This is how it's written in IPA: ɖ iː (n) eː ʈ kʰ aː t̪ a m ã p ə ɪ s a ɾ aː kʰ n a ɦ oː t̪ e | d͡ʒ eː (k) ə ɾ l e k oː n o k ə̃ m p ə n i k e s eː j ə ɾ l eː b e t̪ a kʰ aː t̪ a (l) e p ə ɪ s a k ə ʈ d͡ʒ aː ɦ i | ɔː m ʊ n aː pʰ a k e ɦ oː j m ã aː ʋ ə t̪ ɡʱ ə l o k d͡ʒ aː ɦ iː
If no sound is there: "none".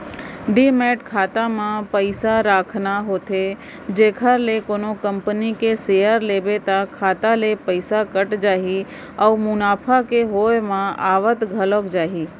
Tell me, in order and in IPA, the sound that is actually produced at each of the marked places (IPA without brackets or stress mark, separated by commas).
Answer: m, kʰ, l